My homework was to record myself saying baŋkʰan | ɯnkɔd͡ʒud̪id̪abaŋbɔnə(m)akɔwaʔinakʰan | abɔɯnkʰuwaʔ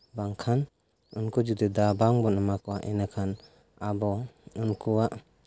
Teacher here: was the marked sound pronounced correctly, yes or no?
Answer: yes